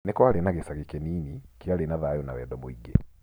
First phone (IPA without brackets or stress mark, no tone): n